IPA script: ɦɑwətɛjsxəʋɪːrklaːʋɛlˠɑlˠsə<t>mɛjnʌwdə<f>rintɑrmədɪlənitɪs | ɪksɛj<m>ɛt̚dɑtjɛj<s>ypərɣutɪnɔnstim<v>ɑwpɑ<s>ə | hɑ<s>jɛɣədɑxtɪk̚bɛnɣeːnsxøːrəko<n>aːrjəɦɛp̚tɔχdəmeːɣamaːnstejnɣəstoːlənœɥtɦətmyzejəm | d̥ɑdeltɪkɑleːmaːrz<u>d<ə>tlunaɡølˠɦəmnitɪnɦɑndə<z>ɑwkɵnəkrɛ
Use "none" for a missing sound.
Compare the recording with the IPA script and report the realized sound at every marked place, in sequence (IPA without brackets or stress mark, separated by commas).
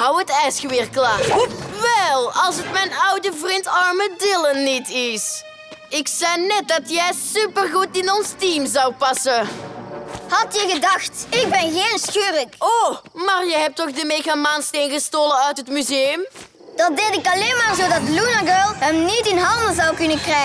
t, v, n, s, z, s, t, m, o, ɑ, z